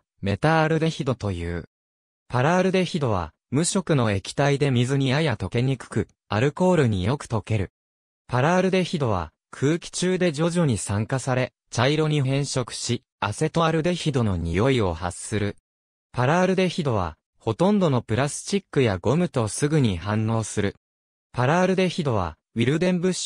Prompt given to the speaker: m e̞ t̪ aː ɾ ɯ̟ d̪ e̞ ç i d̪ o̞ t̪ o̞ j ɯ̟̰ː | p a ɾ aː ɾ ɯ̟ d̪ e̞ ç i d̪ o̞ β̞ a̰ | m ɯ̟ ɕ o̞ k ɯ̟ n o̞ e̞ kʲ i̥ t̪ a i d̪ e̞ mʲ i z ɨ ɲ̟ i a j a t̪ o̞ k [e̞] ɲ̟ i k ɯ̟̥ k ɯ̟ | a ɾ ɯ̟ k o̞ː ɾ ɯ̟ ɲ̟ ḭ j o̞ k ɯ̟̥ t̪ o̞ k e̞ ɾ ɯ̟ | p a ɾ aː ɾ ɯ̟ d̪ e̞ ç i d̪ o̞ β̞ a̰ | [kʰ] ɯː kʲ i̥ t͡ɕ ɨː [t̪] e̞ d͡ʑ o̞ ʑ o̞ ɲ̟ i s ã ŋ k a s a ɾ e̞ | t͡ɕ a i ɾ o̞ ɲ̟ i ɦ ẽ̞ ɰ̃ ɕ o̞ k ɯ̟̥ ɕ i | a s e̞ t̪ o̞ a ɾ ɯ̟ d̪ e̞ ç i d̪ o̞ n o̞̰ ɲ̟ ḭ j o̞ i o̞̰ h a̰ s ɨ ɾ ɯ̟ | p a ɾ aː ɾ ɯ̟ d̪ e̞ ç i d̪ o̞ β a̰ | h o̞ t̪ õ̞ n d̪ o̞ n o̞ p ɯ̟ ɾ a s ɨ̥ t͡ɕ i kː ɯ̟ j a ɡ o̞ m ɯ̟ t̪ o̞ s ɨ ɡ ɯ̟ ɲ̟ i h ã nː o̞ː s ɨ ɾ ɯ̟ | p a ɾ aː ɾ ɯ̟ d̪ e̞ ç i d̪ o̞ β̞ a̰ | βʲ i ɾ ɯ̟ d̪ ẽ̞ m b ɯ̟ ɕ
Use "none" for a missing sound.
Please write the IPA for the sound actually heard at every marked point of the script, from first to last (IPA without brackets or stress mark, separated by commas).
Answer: e̞, kʰ, d̪